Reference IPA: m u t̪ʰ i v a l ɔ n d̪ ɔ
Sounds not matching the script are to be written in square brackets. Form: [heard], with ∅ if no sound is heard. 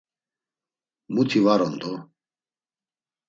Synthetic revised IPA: m u t̪ʰ i v a [ɾ] ɔ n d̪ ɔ